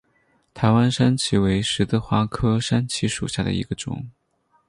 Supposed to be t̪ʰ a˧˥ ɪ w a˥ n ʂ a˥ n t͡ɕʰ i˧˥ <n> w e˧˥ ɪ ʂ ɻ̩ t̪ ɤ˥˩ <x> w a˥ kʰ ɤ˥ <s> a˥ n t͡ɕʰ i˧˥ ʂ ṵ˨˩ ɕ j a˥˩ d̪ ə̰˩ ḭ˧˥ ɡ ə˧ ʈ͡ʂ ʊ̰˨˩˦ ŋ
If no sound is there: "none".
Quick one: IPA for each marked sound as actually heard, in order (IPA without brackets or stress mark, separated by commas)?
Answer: none, x, ʂ